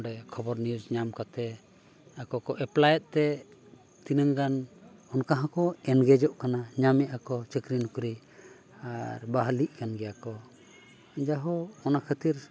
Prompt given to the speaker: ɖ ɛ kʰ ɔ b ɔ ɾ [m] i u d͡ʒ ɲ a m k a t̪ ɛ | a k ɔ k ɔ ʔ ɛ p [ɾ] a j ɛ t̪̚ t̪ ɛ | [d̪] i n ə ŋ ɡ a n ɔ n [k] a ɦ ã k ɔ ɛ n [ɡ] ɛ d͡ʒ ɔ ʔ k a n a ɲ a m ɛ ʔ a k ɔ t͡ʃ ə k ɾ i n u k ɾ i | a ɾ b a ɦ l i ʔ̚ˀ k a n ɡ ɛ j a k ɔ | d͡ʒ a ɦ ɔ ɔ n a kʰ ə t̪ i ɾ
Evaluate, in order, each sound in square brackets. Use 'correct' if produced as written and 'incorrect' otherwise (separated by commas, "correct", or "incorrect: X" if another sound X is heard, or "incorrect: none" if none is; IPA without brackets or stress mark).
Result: incorrect: n, incorrect: l, incorrect: t̪, correct, correct